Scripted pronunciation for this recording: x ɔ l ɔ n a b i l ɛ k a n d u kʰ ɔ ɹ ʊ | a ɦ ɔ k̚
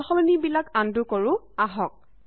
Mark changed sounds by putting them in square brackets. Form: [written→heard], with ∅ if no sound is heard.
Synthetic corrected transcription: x ɔ l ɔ n [a→i] b i l [ɛ→a] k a n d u [kʰ→k] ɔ ɹ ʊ | a ɦ ɔ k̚